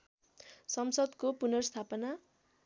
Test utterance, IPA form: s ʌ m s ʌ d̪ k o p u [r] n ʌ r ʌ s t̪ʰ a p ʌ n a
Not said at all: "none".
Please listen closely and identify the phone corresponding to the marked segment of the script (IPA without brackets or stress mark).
none